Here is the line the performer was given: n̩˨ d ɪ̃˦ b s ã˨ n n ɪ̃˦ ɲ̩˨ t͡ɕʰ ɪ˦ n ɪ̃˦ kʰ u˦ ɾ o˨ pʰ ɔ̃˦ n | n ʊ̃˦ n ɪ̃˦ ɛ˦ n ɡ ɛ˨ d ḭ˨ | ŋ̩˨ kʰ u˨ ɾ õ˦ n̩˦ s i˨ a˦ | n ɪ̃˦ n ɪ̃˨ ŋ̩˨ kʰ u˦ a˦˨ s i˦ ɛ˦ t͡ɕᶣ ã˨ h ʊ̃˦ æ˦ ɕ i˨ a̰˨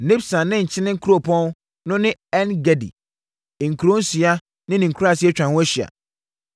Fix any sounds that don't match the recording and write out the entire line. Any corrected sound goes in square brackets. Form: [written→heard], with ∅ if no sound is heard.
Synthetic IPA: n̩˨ [d→n] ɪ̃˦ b s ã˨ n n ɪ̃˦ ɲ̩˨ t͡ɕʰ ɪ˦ n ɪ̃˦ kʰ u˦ ɾ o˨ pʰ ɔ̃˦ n | n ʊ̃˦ n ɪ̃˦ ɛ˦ n ɡ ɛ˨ d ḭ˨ | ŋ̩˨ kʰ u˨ ɾ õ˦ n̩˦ s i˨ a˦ | n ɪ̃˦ n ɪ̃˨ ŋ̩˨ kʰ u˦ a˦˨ s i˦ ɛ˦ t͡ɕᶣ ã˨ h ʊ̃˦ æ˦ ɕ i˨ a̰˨